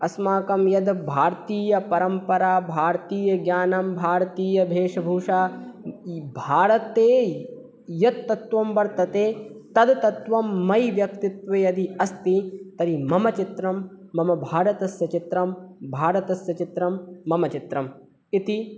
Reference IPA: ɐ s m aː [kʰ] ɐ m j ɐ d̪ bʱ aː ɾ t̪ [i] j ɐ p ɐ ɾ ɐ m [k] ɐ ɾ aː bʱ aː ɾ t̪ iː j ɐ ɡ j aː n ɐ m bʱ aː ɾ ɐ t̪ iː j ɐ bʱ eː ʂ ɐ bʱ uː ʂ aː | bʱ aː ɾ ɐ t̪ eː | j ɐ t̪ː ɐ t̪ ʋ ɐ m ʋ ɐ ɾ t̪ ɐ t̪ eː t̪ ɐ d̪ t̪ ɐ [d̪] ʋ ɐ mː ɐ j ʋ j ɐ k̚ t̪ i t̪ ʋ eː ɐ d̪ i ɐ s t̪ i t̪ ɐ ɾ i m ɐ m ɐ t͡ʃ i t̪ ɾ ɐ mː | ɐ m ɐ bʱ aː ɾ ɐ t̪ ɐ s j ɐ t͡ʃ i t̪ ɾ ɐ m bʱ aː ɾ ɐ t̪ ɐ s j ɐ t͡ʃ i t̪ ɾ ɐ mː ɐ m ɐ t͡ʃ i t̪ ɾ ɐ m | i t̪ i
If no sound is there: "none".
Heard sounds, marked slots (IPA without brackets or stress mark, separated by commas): k, iː, p, t̪